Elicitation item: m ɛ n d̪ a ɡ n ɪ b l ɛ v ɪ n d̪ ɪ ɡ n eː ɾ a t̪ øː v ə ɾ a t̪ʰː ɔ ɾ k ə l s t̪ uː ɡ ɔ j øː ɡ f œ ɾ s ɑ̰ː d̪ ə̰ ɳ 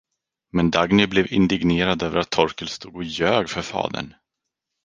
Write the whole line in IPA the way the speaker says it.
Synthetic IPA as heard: m ɛ n d̪ a ɡ n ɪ b l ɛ v ɪ n d̪ ɪ ɡ n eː ɾ a d̪ øː v ə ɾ a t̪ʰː ɔ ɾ k ə l s t̪ uː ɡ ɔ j øː ɡ f œ ɾ f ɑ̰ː d̪ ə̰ ɳ